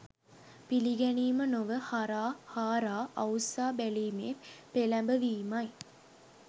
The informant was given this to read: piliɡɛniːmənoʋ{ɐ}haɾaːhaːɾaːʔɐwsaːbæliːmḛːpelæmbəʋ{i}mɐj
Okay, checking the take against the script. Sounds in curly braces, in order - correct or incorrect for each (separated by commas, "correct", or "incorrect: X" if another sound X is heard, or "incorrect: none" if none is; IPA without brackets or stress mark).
incorrect: ə, incorrect: iː